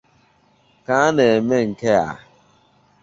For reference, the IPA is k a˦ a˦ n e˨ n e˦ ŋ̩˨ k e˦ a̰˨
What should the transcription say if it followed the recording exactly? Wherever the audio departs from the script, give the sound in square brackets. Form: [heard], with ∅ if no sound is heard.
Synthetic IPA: k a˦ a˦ n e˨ [m] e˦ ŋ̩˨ k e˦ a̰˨